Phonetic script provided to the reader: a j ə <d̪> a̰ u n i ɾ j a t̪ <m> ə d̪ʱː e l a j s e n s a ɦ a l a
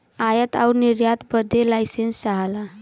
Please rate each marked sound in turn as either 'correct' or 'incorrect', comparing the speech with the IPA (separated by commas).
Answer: incorrect, incorrect